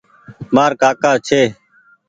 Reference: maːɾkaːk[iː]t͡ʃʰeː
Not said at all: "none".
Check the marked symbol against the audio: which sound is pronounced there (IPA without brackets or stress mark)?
aː